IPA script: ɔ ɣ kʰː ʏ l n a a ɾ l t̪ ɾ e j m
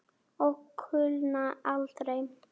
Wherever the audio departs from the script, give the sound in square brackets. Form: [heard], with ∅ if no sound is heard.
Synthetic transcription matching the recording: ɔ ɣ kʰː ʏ l n a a [∅] l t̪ ɾ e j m